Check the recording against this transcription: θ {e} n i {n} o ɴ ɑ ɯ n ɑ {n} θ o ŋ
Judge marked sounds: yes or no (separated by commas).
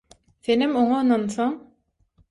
yes, no, yes